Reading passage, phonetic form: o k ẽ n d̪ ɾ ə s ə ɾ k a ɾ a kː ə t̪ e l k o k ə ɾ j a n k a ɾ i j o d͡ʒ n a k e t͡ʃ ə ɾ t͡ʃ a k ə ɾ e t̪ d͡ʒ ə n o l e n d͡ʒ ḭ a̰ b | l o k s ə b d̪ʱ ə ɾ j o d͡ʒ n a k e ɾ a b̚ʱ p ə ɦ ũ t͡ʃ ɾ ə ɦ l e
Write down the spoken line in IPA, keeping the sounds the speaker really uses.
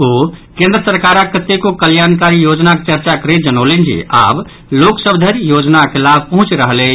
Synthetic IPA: o k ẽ n d̪ ɾ ə s ə ɾ k a ɾ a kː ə t̪ e k o k ə l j a n k a ɾ i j o d͡ʒ n a k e t͡ʃ ə ɾ t͡ʃ a k ə ɾ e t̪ d͡ʒ ə n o l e n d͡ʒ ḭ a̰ b | l o k s ə b d̪ʱ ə ɾ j o d͡ʒ n a k e l a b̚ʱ p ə ɦ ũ t͡ʃ ɾ ə ɦ l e